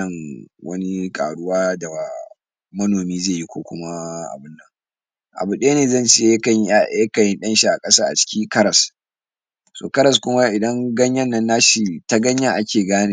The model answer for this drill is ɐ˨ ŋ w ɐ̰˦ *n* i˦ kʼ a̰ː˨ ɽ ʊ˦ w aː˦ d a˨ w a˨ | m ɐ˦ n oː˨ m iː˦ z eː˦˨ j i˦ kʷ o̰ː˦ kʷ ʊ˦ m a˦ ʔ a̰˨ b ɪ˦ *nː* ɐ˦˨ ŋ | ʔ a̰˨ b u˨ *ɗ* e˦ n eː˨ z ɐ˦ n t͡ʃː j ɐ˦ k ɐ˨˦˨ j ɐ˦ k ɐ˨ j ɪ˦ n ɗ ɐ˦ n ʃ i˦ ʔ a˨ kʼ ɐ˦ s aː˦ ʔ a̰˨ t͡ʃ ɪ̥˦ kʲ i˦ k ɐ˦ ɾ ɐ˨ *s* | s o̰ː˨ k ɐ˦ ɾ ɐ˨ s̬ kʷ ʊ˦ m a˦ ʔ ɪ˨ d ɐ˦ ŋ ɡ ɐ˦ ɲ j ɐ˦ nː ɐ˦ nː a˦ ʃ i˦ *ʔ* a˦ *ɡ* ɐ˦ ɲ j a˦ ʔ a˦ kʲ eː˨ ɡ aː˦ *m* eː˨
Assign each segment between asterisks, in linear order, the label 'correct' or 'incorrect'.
correct, correct, correct, correct, incorrect: t, correct, incorrect: n

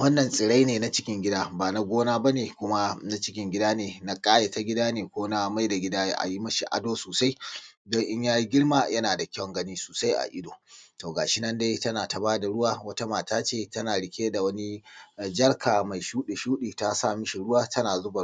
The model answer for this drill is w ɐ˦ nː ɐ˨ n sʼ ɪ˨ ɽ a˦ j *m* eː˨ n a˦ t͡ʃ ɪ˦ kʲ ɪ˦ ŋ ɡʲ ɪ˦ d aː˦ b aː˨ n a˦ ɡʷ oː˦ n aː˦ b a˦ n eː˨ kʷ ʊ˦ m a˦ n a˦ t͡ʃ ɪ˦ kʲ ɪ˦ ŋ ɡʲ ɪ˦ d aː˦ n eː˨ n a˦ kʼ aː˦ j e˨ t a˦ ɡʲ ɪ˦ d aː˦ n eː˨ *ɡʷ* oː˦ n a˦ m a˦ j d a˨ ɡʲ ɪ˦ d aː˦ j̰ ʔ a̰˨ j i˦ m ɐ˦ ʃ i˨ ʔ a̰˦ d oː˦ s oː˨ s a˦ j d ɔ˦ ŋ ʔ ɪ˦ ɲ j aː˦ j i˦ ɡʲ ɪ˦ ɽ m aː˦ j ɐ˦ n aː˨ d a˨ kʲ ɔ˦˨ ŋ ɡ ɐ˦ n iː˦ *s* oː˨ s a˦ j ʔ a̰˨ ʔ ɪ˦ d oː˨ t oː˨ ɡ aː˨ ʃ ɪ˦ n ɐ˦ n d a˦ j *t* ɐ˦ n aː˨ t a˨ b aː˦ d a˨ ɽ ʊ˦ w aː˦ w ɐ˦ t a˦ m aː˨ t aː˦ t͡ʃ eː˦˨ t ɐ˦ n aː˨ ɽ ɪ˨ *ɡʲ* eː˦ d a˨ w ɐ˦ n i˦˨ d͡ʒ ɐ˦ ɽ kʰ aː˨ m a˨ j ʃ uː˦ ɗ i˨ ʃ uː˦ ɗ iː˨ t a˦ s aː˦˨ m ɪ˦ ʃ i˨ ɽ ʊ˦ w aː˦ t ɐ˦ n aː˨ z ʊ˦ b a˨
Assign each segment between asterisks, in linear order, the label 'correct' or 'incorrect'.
incorrect: n, incorrect: kʷ, correct, correct, incorrect: kʲ

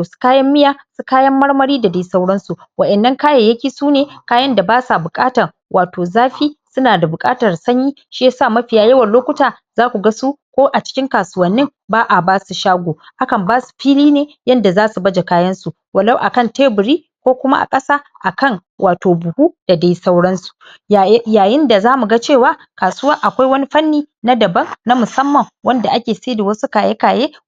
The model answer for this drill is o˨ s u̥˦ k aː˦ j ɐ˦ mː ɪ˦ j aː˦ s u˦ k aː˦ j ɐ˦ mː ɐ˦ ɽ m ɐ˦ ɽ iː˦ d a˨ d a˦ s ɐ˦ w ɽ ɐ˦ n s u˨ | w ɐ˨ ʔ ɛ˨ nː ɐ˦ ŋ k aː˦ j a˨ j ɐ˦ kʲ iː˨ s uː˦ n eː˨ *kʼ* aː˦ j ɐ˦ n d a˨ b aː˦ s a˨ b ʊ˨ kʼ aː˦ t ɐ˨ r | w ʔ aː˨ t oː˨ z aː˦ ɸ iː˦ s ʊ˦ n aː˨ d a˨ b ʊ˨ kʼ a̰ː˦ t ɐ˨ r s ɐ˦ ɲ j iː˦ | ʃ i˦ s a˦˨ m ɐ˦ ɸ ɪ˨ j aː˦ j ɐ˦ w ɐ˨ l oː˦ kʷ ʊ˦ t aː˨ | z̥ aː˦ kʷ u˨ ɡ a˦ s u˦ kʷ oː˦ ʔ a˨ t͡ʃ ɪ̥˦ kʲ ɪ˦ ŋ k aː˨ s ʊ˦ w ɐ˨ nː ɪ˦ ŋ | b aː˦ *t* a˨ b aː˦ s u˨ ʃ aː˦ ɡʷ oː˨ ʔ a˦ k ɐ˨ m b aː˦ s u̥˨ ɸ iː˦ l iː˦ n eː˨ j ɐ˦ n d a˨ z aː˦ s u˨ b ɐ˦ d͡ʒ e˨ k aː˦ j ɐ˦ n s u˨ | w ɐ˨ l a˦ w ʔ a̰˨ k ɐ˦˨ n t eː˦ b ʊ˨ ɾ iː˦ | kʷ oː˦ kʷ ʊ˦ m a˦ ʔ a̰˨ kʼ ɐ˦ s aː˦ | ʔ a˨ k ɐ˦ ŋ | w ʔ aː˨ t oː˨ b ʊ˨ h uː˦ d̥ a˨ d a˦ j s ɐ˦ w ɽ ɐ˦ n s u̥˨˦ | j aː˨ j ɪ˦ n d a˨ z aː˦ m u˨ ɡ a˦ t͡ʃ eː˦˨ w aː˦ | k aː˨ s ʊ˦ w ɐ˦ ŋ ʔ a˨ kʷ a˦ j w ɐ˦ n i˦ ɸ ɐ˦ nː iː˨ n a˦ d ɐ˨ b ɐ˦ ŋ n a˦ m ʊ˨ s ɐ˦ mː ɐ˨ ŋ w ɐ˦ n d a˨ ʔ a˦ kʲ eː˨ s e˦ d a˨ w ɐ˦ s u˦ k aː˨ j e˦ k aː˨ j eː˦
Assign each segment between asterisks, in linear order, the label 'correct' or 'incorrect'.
incorrect: k, incorrect: ʔ

